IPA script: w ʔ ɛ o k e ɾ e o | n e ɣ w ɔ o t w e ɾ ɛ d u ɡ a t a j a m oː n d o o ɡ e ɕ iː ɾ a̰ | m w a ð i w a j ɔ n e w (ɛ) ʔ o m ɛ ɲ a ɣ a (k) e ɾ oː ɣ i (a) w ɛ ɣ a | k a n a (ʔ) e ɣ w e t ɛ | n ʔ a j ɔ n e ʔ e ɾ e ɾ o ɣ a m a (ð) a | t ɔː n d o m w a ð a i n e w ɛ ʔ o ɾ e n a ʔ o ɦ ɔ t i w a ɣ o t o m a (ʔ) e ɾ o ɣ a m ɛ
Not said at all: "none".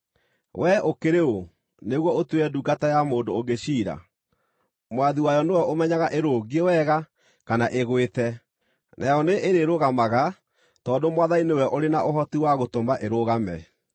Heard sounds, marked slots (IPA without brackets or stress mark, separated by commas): ɛ, ʔ, e, ʔ, ɣ, ʔ